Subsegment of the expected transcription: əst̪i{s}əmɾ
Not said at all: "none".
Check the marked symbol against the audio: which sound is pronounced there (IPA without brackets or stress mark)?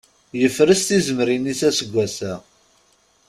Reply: z